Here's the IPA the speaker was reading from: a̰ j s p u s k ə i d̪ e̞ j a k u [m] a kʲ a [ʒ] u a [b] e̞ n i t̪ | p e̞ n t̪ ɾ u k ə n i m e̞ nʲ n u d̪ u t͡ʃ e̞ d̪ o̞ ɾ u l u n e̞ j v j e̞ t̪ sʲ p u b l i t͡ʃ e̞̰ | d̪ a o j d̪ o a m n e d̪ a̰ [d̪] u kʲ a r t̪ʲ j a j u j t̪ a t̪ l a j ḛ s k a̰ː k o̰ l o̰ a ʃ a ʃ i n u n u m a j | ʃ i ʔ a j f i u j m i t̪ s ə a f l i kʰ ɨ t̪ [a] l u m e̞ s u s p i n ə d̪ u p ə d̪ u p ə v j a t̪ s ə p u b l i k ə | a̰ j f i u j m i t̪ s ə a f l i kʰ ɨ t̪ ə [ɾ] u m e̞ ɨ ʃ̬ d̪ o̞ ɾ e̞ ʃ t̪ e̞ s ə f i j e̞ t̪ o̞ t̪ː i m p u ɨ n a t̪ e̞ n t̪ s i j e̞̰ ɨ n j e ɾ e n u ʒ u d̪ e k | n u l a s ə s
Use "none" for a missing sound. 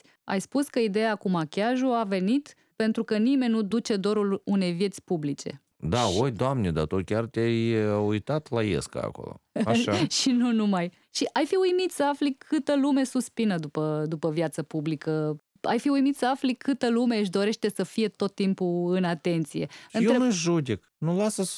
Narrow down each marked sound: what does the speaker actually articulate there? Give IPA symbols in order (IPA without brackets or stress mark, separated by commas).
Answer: m, ʒ, v, t̪, ə, l